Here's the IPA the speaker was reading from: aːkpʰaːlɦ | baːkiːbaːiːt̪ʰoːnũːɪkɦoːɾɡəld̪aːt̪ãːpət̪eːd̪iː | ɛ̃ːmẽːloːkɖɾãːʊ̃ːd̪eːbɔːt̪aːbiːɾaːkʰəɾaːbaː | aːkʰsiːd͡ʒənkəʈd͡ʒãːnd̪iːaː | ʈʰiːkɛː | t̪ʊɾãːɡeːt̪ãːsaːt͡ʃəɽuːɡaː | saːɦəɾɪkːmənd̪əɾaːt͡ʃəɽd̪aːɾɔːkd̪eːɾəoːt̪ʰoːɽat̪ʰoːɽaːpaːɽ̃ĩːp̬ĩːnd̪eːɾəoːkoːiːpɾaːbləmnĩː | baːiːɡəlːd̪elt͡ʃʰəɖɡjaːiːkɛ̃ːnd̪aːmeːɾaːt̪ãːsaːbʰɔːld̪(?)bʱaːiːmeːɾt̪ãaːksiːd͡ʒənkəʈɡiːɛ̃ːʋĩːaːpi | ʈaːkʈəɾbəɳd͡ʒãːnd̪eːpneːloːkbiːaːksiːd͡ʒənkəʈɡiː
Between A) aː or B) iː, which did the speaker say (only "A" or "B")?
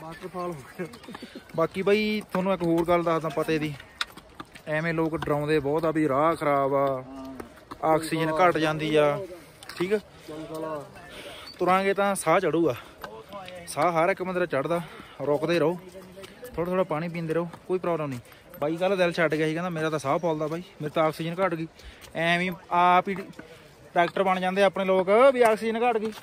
A